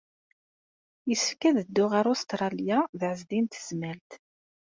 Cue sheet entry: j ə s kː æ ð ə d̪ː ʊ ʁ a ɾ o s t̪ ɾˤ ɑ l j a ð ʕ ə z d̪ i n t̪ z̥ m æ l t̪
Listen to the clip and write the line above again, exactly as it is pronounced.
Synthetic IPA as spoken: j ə s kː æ ð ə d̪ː ʊ ʁ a ɾ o s t̪ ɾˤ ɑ l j a ð ʕ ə z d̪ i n t̪ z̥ m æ l t̪